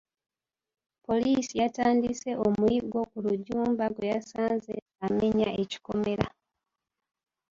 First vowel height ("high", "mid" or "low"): mid